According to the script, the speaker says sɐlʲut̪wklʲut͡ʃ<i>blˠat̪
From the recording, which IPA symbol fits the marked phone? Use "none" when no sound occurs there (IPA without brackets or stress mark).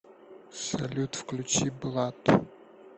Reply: i